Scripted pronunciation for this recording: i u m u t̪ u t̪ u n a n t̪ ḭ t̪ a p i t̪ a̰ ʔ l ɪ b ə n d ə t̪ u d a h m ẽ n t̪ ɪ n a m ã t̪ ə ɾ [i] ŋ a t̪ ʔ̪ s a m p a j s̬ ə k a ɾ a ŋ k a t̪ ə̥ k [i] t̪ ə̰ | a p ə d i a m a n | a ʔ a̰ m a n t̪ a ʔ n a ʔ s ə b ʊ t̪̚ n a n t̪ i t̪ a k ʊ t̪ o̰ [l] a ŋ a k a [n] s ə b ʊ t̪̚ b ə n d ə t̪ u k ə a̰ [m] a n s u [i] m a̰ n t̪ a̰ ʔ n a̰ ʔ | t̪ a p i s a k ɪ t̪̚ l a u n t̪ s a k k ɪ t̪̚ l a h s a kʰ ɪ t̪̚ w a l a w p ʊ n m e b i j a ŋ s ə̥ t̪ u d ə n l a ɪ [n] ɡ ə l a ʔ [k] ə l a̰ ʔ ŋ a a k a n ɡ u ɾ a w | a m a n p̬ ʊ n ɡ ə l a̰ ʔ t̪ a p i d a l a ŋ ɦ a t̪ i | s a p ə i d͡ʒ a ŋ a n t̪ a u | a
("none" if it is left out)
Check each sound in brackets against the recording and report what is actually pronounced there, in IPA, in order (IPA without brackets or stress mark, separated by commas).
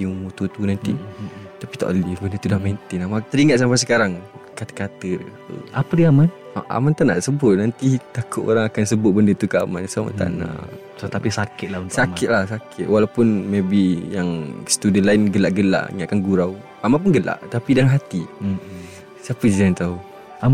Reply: i, a, ɾ, n, m, a, n, ɡ